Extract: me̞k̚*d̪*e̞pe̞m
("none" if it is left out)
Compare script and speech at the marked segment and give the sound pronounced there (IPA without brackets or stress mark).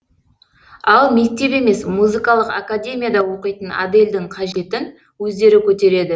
t̪